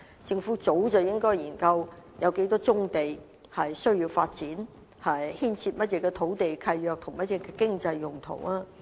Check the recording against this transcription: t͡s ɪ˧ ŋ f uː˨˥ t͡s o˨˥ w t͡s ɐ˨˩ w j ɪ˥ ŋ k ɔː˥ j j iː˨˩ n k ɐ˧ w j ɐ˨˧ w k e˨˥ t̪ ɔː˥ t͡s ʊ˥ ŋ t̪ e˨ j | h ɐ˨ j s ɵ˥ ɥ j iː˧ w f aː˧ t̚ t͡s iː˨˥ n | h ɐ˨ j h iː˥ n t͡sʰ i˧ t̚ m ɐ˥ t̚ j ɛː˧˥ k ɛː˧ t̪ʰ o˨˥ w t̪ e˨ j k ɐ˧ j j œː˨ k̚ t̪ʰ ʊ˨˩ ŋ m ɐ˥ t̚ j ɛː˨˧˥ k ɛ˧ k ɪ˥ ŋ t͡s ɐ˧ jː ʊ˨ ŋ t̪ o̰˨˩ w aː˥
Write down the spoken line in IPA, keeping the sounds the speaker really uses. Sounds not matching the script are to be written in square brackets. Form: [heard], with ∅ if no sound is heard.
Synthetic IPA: t͡s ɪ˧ ŋ f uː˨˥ t͡s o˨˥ w t͡s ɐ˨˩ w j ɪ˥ ŋ k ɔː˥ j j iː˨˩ n k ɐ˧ w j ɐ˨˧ w k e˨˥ t̪ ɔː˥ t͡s ʊ˥ ŋ t̪ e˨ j | h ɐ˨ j s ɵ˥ ɥ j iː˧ w f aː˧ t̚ t͡s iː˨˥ n | h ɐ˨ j h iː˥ n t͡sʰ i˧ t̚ m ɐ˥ t̚ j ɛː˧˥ k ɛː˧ t̪ʰ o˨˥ w t̪ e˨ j [kʰ] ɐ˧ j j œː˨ k̚ t̪ʰ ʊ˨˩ ŋ m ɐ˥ t̚ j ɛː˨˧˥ k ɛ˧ k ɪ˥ ŋ t͡s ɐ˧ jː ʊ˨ ŋ [t̪ʰ] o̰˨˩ w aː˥